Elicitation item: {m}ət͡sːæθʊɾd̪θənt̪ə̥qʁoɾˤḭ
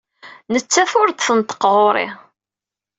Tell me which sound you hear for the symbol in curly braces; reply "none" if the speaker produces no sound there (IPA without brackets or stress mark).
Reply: n